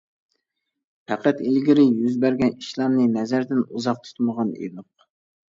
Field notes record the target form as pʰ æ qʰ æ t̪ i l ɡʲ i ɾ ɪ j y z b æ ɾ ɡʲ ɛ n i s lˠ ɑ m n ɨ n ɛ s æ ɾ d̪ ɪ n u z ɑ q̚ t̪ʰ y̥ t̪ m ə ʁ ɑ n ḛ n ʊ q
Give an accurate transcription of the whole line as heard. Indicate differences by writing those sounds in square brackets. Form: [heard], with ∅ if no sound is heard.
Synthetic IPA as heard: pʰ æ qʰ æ t̪ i l ɡʲ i ɾ ɪ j y z b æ ɾ ɡʲ ɛ n i [ʃ] lˠ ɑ m n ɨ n ɛ [z] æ ɾ d̪ ɪ n u z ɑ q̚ t̪ʰ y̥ t̪ m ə ʁ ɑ n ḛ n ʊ q